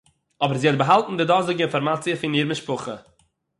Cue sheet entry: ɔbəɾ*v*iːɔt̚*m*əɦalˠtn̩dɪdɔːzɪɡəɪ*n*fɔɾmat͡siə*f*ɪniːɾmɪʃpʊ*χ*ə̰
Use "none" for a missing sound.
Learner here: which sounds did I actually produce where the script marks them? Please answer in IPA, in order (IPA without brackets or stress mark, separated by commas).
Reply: z, b, n, f, χ